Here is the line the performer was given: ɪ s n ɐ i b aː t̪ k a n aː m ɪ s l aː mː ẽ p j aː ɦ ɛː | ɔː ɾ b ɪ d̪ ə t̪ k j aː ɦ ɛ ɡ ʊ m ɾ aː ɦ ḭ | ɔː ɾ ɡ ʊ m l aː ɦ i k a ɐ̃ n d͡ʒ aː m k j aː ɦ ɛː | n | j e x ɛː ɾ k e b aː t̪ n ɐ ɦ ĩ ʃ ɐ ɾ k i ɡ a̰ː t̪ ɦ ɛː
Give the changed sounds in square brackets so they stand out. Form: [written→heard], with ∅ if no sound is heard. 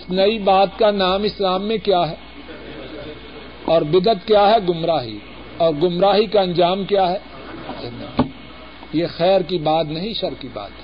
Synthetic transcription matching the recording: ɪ s n ɐ i b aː t̪ k a n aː m ɪ s l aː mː ẽ [p→k] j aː ɦ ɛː | ɔː ɾ b ɪ d̪ ə t̪ k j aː ɦ ɛ ɡ ʊ m ɾ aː ɦ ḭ | ɔː ɾ ɡ ʊ m [l→ɾ] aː ɦ i k a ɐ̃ n d͡ʒ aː m k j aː ɦ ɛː | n | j e x ɛː ɾ k [e→i] b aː t̪ n ɐ ɦ ĩ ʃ ɐ ɾ k i [ɡ→b] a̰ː t̪ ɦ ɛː